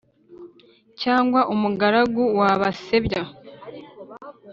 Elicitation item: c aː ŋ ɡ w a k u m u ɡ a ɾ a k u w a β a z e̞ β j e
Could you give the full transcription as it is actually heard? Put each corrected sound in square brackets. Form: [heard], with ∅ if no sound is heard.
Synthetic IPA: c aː ŋ ɡ w a [ʔ] u m u ɡ a ɾ a [ɡ] u w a β a [s] e̞ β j [a]